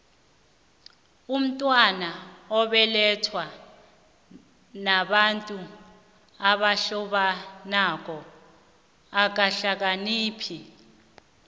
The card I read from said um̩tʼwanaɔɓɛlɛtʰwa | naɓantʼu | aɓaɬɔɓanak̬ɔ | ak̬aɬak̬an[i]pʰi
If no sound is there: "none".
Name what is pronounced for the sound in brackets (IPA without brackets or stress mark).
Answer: iː